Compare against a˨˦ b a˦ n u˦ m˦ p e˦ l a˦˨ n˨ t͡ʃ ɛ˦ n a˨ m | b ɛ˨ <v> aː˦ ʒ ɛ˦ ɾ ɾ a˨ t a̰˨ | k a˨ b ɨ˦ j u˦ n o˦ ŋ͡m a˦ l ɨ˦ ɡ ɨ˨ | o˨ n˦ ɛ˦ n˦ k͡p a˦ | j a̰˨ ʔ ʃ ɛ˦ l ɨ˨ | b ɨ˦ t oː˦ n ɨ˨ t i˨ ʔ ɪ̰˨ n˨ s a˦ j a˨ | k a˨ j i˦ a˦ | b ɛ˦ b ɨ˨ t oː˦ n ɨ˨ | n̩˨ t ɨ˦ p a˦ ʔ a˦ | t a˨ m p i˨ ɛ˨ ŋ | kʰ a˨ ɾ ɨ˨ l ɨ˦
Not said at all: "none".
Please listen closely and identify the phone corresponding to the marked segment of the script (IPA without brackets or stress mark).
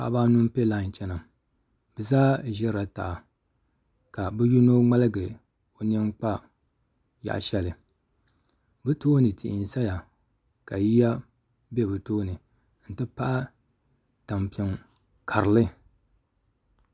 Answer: z